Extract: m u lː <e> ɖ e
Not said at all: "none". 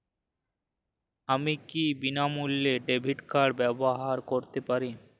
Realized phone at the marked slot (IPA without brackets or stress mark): e